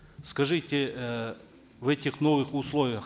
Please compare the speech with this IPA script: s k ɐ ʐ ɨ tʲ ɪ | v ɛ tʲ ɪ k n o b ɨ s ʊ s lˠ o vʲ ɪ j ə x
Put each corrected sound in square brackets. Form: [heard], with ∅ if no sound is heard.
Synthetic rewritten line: s k ɐ ʐ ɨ tʲ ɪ | v ɛ tʲ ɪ [x] n o [v] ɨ [x] ʊ s lˠ o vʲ ɪ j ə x